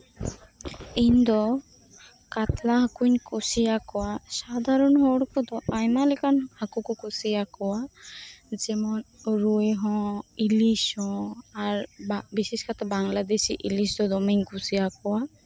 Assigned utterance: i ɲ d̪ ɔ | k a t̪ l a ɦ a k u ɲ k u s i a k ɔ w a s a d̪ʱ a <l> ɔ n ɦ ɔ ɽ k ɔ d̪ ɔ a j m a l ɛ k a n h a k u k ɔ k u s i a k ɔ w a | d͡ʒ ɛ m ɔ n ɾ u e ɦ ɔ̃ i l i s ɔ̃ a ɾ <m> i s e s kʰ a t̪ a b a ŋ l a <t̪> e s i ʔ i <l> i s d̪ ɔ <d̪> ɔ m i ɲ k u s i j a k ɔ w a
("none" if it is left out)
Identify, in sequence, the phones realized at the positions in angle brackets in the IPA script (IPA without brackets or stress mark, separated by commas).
ɾ, b, d̪, l, d̪